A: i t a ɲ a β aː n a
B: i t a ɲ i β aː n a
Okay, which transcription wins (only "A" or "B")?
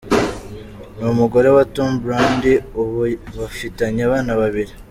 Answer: A